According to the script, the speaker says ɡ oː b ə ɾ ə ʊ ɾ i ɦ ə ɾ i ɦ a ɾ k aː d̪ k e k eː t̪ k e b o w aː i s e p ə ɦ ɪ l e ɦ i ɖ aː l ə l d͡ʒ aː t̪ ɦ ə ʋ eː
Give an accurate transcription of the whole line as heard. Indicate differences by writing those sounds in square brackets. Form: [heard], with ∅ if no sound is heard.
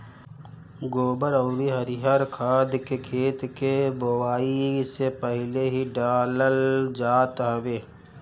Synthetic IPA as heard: ɡ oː b ə ɾ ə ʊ ɾ i ɦ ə ɾ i ɦ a ɾ [kʰ] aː d̪ k e [kʰ] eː t̪ k e b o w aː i s e p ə ɦ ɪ l e ɦ i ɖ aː l ə l d͡ʒ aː t̪ ɦ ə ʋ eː